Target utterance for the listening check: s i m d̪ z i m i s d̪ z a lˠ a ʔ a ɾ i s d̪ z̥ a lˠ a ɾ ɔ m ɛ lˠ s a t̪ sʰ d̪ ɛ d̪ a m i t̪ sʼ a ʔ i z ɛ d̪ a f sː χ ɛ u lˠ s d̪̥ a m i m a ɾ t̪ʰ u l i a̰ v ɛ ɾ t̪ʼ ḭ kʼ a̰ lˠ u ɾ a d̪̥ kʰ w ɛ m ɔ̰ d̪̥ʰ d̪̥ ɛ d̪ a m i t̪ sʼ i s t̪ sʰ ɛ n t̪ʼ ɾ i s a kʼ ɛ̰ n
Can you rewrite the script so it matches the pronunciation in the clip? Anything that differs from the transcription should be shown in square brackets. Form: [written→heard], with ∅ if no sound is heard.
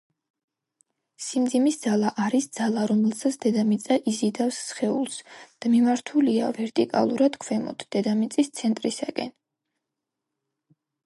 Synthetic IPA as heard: s i m d̪ z i m i s d̪ z a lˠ a ʔ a ɾ i s d̪ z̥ a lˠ a ɾ ɔ m ɛ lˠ s a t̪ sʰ d̪ ɛ d̪ a m i t̪ sʼ a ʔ i z [ɛ→i] d̪ a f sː χ ɛ u lˠ s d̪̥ a m i m a ɾ t̪ʰ u l i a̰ v ɛ ɾ t̪ʼ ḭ kʼ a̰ lˠ u ɾ a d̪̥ kʰ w ɛ m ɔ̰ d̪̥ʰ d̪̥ ɛ d̪ a m i t̪ sʼ i s t̪ sʰ ɛ n t̪ʼ ɾ i s a kʼ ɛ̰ n